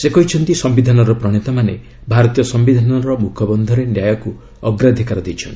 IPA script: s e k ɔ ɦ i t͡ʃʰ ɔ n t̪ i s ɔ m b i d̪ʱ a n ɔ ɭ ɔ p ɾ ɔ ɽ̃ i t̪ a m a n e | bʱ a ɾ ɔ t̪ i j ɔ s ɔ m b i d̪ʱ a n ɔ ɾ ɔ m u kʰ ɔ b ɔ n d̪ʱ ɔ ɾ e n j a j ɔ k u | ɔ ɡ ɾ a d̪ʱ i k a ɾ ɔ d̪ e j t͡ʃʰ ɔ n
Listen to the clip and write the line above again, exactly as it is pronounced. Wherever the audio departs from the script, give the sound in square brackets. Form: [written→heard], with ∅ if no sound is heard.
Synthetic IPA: s e k ɔ ɦ i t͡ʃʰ ɔ n t̪ i s ɔ m b i d̪ʱ a n ɔ [ɭ→ɾ] ɔ p ɾ ɔ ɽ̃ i t̪ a m a n e | bʱ a ɾ ɔ t̪ i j ɔ s ɔ m b i d̪ʱ a n ɔ ɾ ɔ m u kʰ ɔ b ɔ n d̪ʱ ɔ ɾ e n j a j ɔ k u | ɔ ɡ ɾ a d̪ʱ i k a ɾ ɔ d̪ e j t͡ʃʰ ɔ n